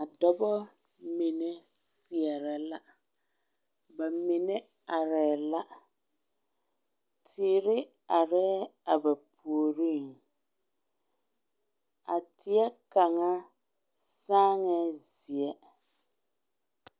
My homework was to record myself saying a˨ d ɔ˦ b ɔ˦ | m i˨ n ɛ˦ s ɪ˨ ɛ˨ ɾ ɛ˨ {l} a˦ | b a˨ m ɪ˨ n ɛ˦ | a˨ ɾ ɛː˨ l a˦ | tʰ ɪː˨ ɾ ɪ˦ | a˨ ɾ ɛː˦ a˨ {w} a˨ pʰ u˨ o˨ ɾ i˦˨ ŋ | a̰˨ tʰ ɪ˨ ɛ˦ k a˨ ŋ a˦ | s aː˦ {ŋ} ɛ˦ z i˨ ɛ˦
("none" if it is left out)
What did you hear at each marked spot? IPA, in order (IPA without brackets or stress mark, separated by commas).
l, b, ŋ